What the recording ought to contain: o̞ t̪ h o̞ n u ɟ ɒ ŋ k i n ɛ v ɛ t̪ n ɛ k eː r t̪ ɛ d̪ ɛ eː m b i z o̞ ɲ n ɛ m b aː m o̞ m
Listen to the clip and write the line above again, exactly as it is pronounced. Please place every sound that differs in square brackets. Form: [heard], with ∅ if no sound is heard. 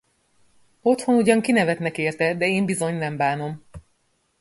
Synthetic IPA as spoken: o̞ t̪ h o̞ n u ɟ ɒ ŋ k i n ɛ v ɛ t̪ n ɛ k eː r t̪ ɛ d̪ ɛ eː m b i z o̞ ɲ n ɛ m b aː [n] o̞ m